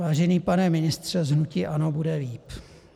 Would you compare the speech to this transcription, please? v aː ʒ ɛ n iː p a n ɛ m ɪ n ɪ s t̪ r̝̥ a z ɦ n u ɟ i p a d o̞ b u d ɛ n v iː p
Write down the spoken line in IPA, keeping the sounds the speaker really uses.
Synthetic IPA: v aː ʒ ɛ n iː p a n ɛ m ɪ n ɪ s t̪ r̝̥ ɛ z ɦ n u c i ʔ a n o̞ b u d ɛ v iː p